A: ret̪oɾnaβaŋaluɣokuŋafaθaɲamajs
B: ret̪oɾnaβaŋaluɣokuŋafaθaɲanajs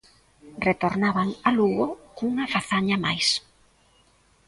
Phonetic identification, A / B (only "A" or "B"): A